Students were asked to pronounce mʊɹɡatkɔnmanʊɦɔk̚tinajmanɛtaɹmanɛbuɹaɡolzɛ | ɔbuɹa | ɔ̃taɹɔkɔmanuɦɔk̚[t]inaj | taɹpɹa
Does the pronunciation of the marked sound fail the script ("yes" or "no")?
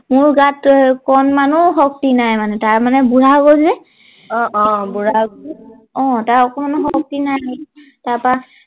no